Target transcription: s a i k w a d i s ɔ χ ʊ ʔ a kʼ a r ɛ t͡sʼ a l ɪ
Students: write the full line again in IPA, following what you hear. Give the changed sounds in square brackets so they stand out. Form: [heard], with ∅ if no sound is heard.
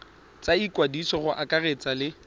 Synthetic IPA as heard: [t͡s] a i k w a d i s ɔ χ ʊ ʔ a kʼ a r [e] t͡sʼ a l ɪ